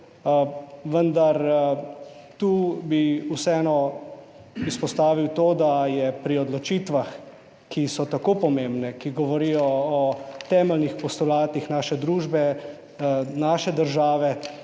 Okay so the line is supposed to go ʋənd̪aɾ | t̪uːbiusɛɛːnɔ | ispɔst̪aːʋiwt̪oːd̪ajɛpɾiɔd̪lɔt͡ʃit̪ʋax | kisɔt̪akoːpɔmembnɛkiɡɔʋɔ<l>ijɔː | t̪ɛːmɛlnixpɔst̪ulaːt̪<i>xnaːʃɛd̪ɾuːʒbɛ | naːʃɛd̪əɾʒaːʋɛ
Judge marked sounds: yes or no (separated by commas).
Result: no, yes